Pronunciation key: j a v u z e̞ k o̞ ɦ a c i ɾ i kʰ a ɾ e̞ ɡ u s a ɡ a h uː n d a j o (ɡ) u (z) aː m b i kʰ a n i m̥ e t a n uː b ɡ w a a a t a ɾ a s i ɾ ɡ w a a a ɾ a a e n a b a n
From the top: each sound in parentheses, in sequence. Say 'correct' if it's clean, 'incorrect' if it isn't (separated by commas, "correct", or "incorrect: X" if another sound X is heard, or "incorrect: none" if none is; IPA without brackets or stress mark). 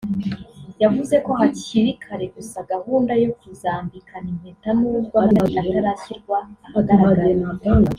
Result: incorrect: k, correct